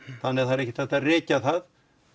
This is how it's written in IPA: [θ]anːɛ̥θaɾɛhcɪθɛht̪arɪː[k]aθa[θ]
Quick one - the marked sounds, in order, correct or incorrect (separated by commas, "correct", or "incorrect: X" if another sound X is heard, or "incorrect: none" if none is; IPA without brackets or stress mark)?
correct, incorrect: c, incorrect: ð